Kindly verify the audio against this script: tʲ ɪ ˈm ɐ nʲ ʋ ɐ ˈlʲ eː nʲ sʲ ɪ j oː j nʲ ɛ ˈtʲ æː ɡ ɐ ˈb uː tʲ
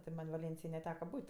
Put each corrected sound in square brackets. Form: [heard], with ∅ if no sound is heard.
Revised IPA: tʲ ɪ ˈm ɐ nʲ ʋ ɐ ˈlʲ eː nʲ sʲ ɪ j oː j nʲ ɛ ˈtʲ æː [k] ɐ ˈb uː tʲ